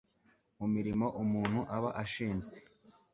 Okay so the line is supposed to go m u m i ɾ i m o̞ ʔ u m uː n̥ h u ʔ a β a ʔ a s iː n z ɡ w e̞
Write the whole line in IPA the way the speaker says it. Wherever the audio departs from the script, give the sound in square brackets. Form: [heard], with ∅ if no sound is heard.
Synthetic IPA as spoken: m u m i ɾ i m o̞ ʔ u m uː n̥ h u ʔ a β a ʔ a [ʃ] iː n z ɡ w e̞